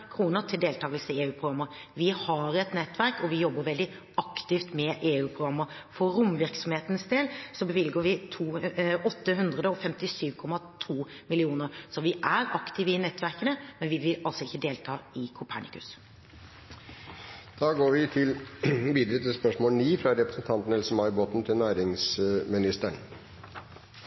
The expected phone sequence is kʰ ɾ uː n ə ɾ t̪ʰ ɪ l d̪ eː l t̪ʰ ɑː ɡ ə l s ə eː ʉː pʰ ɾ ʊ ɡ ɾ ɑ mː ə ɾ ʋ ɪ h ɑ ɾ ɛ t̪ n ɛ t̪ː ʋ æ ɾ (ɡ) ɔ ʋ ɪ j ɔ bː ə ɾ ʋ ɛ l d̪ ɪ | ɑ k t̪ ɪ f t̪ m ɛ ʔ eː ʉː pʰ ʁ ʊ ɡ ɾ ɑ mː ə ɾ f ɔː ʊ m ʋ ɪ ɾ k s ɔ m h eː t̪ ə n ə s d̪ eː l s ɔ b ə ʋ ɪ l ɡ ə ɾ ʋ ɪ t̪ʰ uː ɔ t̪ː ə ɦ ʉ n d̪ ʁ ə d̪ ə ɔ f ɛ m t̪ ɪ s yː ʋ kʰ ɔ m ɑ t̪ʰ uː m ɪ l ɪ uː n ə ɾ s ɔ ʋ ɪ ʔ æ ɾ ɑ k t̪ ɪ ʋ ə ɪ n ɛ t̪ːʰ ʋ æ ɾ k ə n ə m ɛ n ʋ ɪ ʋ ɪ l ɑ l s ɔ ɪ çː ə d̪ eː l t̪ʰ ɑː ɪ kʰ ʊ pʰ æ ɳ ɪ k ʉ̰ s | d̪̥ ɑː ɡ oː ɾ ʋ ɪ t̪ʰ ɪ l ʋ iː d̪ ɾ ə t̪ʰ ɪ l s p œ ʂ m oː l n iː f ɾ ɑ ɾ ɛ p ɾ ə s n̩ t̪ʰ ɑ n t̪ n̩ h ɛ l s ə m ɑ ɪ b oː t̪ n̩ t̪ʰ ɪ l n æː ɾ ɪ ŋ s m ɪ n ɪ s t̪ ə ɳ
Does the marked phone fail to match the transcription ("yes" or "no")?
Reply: yes